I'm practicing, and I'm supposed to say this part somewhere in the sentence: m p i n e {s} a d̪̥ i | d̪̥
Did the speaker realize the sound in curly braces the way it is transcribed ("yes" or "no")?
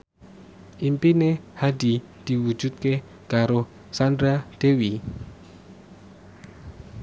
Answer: no